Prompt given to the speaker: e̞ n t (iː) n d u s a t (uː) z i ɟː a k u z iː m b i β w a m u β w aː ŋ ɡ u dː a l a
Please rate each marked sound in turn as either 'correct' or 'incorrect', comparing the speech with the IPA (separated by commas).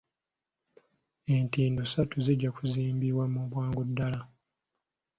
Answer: correct, incorrect